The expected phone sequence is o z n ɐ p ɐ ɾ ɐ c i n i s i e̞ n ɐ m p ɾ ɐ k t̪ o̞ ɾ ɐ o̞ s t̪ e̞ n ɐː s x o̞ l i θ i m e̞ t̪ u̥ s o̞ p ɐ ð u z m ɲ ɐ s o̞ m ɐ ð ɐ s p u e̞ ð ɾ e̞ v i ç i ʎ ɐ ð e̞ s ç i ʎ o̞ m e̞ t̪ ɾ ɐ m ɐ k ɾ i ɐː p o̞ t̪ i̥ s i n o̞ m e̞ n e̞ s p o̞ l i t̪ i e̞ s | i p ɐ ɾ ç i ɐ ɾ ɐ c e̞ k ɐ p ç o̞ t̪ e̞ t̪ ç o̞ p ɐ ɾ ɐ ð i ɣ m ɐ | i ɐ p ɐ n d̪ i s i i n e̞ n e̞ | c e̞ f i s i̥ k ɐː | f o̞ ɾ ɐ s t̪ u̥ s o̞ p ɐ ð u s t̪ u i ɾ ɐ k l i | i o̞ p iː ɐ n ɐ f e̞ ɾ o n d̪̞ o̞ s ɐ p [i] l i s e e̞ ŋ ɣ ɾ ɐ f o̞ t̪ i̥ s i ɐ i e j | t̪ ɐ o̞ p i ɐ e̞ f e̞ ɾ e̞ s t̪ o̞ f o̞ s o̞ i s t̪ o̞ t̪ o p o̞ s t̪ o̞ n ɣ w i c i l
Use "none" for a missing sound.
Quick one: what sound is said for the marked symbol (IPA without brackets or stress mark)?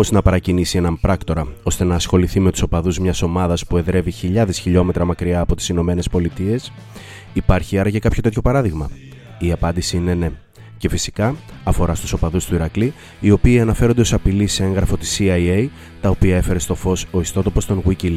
i